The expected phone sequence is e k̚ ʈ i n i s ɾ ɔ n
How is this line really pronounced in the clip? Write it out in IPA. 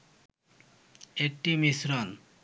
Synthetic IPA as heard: e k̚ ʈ i m i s ɾ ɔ n